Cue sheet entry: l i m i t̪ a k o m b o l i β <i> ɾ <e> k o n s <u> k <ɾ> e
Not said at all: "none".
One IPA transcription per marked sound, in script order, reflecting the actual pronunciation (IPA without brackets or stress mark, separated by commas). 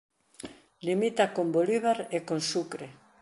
a, e, u, ɾ